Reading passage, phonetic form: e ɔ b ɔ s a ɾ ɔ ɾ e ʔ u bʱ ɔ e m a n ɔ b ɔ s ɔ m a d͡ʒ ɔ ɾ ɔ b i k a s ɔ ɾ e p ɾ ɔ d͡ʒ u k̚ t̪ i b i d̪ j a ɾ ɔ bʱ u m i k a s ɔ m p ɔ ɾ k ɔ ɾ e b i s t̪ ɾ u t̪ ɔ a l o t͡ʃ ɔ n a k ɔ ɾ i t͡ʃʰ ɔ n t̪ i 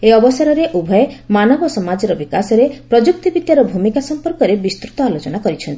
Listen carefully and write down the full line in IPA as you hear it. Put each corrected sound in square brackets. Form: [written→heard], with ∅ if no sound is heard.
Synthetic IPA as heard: e ɔ b ɔ s a ɾ ɔ ɾ e ʔ u bʱ ɔ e m a n ɔ b ɔ s ɔ m a d͡ʒ ɔ ɾ ɔ b i k a s ɔ ɾ e p ɾ ɔ d͡ʒ u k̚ t̪ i b i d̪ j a ɾ ɔ bʱ u m i k a s ɔ m p ɔ ɾ k ɔ ɾ e b i s t̪ ɾ u t̪ ɔ a l o t͡ʃ ɔ n a k ɔ ɾ i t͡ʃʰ ɔ n t̪ i

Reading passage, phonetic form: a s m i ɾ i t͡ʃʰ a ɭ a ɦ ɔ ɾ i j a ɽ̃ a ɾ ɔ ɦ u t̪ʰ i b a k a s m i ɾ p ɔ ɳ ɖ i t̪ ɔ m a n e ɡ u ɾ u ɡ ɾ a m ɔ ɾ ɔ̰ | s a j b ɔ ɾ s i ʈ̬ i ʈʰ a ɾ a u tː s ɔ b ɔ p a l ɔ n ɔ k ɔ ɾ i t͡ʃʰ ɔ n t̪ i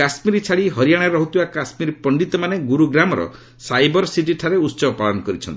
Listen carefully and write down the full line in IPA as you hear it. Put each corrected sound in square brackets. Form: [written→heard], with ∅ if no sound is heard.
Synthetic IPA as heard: a s m i ɾ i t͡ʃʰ a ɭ [a→i] ɦ ɔ ɾ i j a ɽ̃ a ɾ ɔ ɦ u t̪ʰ i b a k a s m i ɾ p ɔ ɳ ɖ i t̪ ɔ m a n e ɡ u ɾ u ɡ ɾ a m ɔ ɾ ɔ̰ | s a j b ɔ ɾ s i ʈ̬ i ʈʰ a ɾ [a→e] u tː s ɔ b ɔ p a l ɔ n ɔ k ɔ ɾ i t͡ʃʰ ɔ n t̪ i

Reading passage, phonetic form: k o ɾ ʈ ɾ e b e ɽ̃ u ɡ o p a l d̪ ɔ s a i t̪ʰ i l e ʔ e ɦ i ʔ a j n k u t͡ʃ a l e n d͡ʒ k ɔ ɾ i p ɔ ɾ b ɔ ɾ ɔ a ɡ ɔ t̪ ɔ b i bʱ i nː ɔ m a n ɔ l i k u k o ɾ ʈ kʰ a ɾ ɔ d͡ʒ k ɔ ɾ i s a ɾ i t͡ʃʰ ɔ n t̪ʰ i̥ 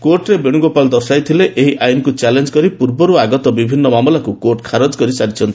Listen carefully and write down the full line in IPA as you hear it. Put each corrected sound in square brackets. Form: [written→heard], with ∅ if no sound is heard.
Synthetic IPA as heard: k o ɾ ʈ ɾ e b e ɽ̃ u ɡ o p a l d̪ ɔ s a [i→j] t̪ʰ i l e ʔ e ɦ i ʔ a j n k u t͡ʃ a l e n d͡ʒ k ɔ ɾ i p [ɔ→u] ɾ b ɔ ɾ [ɔ→u] a ɡ ɔ t̪ ɔ b i bʱ i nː ɔ m a [n→m] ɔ l [i→a] k u k o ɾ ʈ kʰ a ɾ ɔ d͡ʒ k ɔ ɾ i s a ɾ i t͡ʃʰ ɔ n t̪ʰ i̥

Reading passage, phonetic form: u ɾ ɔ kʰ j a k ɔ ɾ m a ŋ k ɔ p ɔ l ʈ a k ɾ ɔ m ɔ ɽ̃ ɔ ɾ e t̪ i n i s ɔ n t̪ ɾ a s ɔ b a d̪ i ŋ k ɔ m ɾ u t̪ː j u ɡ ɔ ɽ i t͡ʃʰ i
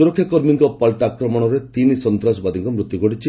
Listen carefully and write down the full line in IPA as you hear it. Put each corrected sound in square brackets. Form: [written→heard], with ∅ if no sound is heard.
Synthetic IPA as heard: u ɾ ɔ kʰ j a k ɔ ɾ m [a→i] ŋ k ɔ p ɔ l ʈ a k ɾ ɔ m ɔ ɽ̃ ɔ ɾ e t̪ i n i s ɔ n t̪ ɾ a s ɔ b a d̪ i ŋ k ɔ m ɾ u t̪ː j u ɡ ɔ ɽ i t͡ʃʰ i

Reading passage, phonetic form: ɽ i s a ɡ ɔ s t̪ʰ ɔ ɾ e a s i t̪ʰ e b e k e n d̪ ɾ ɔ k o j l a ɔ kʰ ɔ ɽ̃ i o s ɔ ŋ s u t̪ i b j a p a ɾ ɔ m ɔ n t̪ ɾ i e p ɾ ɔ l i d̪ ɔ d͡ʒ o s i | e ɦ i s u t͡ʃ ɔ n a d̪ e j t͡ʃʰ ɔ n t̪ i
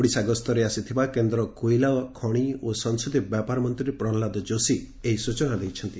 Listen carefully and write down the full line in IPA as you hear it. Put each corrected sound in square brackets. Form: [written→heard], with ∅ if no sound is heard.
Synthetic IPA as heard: ɽ i s a ɡ ɔ s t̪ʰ ɔ ɾ e a s i t̪ʰ [e→i] b [e→a] k e n d̪ ɾ ɔ k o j l a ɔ kʰ ɔ ɽ̃ i o s ɔ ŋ s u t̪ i b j a p a ɾ ɔ m ɔ n t̪ ɾ i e p ɾ ɔ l [i→a] d̪ ɔ d͡ʒ o s i | e ɦ i s u t͡ʃ ɔ n a d̪ e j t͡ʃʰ ɔ n t̪ i

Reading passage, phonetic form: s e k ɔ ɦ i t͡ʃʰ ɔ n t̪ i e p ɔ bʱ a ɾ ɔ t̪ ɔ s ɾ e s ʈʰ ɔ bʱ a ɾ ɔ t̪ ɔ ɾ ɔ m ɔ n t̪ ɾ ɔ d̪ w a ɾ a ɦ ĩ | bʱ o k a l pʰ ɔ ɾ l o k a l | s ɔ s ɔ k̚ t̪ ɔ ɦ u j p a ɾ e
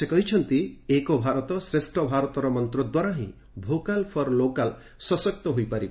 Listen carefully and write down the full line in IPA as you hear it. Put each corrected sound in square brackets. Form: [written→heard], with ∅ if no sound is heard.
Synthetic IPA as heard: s e k ɔ ɦ i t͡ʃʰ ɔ n t̪ i e [p→k] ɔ bʱ a ɾ ɔ t̪ ɔ s ɾ e s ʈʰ ɔ bʱ a ɾ ɔ t̪ ɔ ɾ ɔ m ɔ n t̪ ɾ ɔ d̪ w a ɾ a ɦ ĩ | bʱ o k a l pʰ ɔ ɾ l o k a l | s ɔ s ɔ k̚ t̪ ɔ ɦ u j p a ɾ [e→i]

